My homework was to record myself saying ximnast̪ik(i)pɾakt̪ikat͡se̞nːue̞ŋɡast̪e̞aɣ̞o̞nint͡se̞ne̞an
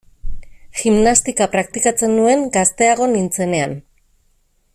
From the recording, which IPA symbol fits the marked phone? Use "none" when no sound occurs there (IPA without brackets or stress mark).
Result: a